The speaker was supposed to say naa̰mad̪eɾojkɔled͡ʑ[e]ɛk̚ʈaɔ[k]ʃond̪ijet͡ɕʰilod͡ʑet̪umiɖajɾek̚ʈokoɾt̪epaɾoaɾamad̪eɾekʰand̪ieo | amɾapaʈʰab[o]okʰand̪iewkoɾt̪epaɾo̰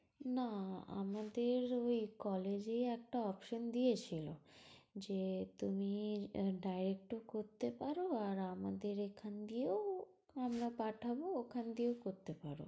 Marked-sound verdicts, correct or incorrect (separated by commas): correct, incorrect, correct